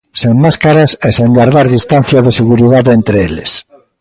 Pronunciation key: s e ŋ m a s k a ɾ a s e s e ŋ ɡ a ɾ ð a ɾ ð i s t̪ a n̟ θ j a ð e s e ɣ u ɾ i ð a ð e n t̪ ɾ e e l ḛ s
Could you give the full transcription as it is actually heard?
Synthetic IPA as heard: s e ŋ m a s k a ɾ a s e s e ŋ ɡ a ɾ ð a ɾ ð i s t̪ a n̟ θ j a ð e s e ɣ u ɾ i ð a ð e n t̪ ɾ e e l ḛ s

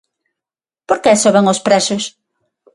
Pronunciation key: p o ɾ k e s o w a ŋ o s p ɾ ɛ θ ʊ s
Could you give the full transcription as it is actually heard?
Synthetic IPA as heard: p o ɾ k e s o β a ŋ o s p ɾ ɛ s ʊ s

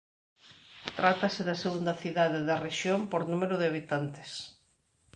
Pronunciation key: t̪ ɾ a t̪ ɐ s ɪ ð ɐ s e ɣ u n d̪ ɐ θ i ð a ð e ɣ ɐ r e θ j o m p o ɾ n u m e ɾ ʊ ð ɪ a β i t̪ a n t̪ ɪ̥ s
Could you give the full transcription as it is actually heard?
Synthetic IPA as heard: t̪ ɾ a t̪ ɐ s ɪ ð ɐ s e ɣ u n d̪ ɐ θ i ð a ð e ð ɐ r e ʃ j o m p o ɾ n u m e ɾ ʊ ð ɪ a β i t̪ a n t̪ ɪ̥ s

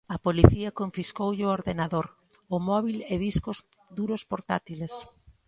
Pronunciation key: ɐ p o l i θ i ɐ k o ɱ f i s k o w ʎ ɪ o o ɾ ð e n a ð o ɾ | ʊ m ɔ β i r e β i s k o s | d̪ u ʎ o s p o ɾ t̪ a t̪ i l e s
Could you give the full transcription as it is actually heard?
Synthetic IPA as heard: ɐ p o l i θ i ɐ k o ɱ f i s k o w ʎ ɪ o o ɾ ð e n a ð o ɾ | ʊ m ɔ β i l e β i s k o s | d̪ u ɾ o s p o ɾ t̪ a t̪ i l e s

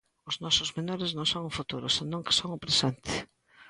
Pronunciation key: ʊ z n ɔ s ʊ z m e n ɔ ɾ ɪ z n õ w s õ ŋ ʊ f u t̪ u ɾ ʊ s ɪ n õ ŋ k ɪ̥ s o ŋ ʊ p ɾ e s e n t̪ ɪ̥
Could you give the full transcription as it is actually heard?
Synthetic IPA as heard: ʊ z n ɔ s ʊ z m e n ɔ ɾ ɪ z n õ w s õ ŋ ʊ f u t̪ u ɾ ʊ s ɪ n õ ŋ k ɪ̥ s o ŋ ʊ p ɾ e s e n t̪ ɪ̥

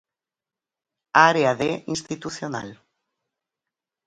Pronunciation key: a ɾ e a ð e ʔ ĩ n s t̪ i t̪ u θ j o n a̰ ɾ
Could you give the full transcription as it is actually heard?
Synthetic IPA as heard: a ɾ e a ð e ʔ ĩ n s t̪ i t̪ u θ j o n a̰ l

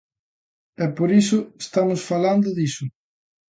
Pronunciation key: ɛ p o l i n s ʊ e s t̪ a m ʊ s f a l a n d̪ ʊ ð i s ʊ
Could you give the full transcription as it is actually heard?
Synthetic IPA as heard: ɛ p o ɾ i s ʊ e s t̪ a m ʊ s f a l a n d̪ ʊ ð i s ʊ

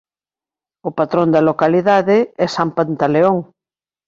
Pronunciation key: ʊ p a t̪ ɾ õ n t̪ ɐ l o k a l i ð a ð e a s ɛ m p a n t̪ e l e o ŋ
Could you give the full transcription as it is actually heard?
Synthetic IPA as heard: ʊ p a t̪ ɾ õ n d̪ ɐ l o k a l i ð a ð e ɛ s a m p a n t̪ a l e o ŋ

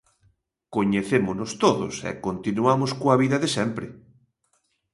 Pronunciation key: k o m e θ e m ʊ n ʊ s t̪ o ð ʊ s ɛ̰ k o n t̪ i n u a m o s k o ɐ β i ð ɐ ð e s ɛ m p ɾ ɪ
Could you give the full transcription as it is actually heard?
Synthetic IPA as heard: k o ɲ e θ e m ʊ n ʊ s t̪ o ð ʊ s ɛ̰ k o n t̪ i n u a m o s k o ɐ β i ð ɐ ð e s ɛ m p ɾ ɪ

